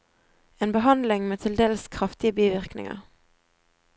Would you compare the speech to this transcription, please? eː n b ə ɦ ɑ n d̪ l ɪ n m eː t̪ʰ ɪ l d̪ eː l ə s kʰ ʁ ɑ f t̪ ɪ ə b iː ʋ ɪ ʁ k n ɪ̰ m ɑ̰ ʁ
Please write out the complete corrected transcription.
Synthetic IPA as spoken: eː n b ə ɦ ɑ n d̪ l ɪ ŋ m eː t̪ʰ ɪ l d̪ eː l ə s kʰ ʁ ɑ f t̪ ɪ ə b iː ʋ ɪ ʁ k n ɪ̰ ŋ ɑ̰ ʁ